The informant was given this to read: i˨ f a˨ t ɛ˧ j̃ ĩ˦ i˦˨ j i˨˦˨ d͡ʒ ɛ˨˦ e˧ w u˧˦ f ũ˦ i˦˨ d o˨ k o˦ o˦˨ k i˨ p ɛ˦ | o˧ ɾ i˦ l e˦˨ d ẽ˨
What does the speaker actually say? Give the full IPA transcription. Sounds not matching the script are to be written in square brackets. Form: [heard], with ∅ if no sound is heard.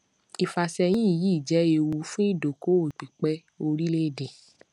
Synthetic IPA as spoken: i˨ f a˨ [s] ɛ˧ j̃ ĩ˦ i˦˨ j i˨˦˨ d͡ʒ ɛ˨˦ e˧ w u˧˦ f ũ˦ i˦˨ d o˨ k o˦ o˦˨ [k͡p] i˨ [k͡p] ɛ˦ | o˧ ɾ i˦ l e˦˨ d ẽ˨